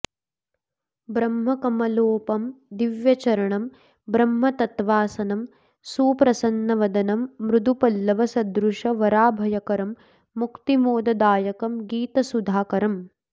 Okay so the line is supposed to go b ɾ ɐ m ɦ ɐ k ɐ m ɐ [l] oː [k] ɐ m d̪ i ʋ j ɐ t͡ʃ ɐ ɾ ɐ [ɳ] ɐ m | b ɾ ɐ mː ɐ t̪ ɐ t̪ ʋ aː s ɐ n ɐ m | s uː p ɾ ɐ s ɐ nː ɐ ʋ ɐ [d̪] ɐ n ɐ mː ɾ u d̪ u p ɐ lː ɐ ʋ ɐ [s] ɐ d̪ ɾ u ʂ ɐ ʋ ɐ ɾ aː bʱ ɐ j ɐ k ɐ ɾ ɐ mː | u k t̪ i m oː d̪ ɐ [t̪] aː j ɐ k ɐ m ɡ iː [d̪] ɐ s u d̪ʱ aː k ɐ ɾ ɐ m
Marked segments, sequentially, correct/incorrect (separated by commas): correct, incorrect, correct, correct, correct, incorrect, incorrect